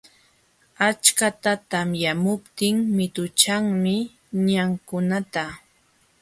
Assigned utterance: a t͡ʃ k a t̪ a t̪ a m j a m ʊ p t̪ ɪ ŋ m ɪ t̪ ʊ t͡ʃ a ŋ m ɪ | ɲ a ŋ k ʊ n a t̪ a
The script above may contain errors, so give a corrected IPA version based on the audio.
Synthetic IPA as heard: a t͡ʃ k a t̪ a t̪ a m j a m ʊ p t̪ ɪ ŋ m ɪ t̪ ʊ t͡ʃ a ŋ m ɪ | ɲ a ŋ k ʊ n a t̪ a